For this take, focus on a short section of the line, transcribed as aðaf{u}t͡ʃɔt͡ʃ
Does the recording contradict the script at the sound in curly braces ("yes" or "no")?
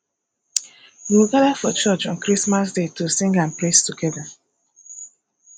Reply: yes